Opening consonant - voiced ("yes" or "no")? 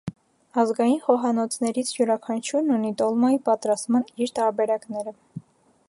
yes